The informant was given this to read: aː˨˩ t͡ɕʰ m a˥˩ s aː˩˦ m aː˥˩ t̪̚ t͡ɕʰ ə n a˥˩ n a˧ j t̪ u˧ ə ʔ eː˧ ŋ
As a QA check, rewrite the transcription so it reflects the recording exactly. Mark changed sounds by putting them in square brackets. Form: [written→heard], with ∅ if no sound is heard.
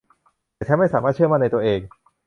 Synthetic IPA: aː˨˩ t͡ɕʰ m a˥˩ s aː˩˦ m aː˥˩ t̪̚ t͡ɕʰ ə [n→m] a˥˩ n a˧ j t̪ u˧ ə ʔ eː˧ ŋ